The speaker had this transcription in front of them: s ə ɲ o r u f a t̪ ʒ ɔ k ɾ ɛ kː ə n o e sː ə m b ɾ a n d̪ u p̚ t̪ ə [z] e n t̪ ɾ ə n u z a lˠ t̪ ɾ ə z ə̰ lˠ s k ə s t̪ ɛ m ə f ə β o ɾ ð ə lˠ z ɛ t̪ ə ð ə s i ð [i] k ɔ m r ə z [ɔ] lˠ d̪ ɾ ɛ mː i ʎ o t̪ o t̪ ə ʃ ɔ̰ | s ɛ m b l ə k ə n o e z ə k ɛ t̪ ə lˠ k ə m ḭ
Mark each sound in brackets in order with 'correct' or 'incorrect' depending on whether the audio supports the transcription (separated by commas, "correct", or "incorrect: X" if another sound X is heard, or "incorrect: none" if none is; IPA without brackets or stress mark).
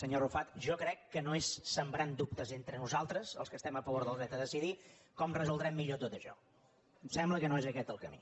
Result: correct, correct, incorrect: u